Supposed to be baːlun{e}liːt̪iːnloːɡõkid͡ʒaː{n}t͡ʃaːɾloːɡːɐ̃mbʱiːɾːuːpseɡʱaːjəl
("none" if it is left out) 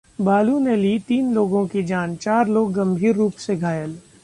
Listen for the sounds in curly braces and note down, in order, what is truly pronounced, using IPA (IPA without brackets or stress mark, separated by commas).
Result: e, n